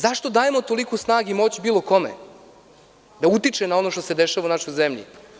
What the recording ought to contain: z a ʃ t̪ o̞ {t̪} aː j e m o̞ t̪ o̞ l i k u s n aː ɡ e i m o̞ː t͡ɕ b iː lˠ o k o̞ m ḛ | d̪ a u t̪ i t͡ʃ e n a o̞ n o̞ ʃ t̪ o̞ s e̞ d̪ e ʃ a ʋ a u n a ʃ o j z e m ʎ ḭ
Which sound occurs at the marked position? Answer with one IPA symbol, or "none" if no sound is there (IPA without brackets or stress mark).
d̪